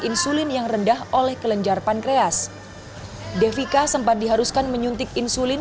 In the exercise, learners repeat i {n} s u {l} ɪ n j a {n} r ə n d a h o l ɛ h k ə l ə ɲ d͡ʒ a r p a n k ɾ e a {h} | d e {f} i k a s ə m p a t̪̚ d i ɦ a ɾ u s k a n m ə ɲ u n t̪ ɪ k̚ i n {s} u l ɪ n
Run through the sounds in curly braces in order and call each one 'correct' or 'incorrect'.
correct, correct, incorrect, incorrect, correct, correct

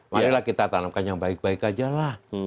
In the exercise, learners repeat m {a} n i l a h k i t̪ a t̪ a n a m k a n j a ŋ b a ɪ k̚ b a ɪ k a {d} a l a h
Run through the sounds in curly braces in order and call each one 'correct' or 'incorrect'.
correct, incorrect

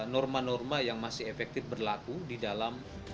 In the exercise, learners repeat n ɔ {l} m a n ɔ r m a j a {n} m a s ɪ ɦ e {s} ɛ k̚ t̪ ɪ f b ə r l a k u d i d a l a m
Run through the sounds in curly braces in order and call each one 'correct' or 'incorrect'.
incorrect, incorrect, incorrect

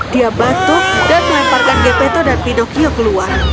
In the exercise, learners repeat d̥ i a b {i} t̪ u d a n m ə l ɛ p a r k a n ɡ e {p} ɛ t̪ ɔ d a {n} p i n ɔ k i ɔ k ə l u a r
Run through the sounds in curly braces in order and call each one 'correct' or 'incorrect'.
incorrect, correct, correct

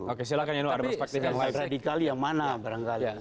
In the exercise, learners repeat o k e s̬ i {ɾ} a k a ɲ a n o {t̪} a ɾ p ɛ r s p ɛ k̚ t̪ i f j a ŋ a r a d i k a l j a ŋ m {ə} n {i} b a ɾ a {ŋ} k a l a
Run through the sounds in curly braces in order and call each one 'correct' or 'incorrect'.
incorrect, incorrect, incorrect, incorrect, correct

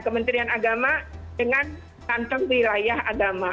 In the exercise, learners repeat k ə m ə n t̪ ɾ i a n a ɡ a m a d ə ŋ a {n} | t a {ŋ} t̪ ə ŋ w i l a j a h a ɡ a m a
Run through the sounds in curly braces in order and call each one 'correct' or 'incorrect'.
correct, incorrect

